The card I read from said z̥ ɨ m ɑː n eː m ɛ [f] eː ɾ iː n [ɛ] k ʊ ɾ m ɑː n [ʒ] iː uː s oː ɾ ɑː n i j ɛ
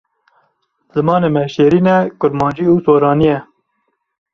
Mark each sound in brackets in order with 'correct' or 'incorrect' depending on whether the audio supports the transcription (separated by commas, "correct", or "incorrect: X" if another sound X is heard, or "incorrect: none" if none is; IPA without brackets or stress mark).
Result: incorrect: ʃ, correct, incorrect: d͡ʒ